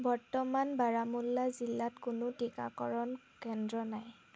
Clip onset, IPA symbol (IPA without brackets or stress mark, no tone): b